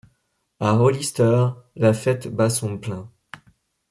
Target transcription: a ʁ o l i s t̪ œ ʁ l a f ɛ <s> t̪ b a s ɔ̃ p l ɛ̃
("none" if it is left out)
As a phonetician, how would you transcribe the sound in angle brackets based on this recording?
none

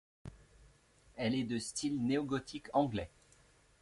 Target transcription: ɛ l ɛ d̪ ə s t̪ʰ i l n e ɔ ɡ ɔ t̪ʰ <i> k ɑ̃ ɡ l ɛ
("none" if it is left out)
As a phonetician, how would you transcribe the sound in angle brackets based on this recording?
i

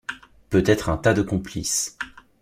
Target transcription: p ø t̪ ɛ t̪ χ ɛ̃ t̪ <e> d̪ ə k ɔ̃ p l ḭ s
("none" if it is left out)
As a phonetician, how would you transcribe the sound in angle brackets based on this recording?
a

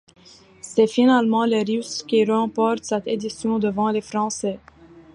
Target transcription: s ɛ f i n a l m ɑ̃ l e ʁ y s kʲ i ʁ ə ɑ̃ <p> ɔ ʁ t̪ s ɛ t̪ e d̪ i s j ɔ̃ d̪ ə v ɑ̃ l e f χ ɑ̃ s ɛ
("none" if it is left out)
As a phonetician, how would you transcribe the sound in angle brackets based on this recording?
p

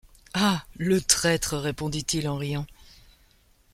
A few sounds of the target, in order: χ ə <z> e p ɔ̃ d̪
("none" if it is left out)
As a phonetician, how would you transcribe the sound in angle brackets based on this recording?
ʁ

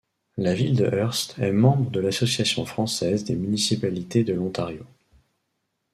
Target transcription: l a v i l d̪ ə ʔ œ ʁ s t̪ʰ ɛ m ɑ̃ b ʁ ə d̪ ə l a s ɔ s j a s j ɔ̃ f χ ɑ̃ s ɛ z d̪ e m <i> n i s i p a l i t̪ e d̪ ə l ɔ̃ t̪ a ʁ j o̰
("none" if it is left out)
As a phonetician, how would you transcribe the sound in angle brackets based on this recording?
y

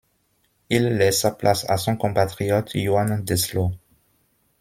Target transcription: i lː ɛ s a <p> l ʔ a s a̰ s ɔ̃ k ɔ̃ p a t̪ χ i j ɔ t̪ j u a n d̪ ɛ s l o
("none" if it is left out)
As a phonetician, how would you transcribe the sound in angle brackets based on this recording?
p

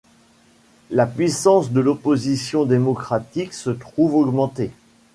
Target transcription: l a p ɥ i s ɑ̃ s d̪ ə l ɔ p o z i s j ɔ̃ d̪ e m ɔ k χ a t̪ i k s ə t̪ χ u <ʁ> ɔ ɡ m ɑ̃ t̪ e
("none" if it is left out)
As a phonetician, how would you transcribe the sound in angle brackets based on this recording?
v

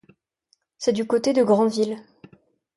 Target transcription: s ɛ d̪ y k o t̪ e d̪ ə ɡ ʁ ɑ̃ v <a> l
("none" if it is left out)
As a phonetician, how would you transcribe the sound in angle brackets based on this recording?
i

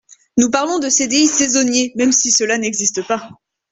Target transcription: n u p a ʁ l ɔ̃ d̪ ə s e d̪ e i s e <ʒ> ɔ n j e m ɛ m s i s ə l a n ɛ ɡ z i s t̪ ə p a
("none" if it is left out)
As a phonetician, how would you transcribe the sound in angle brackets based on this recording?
z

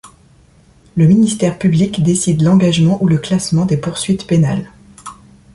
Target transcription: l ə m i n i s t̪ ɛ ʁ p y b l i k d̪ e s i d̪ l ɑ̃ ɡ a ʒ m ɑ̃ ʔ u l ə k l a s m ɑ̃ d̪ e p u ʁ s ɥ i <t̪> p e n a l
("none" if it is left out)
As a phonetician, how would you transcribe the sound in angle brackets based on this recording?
t̪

